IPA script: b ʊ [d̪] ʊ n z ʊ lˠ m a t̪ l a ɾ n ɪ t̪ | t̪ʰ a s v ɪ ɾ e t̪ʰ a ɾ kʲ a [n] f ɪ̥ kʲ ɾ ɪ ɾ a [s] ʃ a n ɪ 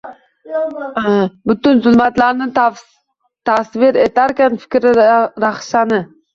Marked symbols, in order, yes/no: no, yes, no

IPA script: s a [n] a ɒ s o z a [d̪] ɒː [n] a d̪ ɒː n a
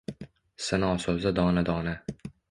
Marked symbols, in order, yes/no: yes, yes, yes

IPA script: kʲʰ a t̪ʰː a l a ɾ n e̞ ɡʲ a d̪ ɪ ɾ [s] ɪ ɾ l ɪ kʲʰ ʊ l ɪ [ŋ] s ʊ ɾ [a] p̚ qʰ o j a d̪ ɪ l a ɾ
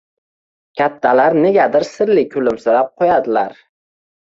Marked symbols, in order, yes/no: yes, no, yes

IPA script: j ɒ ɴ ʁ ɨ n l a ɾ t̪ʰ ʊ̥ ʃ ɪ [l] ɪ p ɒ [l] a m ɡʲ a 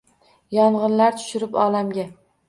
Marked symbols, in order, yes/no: no, yes

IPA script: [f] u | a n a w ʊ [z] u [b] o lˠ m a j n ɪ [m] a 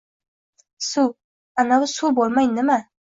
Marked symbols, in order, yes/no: no, no, yes, yes

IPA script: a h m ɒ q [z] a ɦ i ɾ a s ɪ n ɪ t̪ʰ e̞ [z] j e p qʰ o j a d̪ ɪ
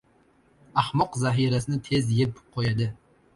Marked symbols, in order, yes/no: yes, yes

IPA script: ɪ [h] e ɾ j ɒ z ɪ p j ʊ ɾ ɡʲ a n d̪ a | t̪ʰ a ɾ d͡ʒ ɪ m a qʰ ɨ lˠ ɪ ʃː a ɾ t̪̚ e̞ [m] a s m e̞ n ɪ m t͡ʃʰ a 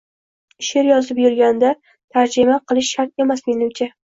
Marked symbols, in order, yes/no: no, yes

